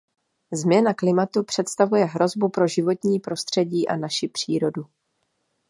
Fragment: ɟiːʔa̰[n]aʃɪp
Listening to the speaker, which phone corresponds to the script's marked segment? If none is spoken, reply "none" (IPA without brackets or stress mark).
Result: n